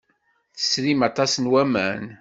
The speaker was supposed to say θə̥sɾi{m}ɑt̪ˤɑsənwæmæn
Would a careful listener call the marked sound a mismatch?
no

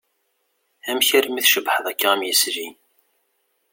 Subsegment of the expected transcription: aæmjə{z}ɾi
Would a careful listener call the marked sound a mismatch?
yes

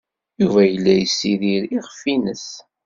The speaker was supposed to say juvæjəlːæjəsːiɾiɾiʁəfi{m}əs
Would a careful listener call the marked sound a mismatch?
yes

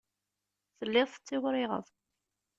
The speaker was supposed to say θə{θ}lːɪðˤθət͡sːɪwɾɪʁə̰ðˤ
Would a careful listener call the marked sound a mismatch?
yes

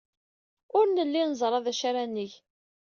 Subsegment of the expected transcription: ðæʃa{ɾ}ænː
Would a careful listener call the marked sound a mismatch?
no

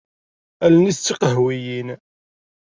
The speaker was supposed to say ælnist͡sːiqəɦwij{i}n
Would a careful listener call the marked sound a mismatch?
no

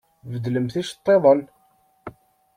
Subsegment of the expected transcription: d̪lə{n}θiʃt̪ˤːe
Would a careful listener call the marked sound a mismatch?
yes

